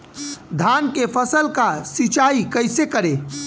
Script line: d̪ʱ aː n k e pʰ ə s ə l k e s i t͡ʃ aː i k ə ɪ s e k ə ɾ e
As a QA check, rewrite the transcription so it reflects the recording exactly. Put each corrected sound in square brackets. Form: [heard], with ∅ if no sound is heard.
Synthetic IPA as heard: d̪ʱ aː n k e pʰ ə s ə l k [a] s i t͡ʃ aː i k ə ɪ s e k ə ɾ e